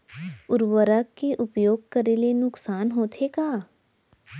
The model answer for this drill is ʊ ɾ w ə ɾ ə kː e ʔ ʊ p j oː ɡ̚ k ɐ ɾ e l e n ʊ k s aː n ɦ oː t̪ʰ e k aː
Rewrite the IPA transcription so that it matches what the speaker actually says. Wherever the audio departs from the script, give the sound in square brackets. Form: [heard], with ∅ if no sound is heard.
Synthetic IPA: ʊ ɾ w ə ɾ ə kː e ʔ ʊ p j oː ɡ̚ k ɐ ɾ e l e n ʊ k s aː n ɦ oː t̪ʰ e k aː